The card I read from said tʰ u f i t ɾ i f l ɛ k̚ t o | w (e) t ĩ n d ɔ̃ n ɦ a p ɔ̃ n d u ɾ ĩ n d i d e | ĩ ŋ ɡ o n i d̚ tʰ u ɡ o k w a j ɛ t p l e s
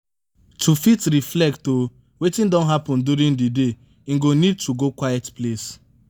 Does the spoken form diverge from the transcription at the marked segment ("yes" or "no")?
no